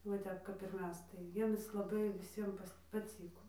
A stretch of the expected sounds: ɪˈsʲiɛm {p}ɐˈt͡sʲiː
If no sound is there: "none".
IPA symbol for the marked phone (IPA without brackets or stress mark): p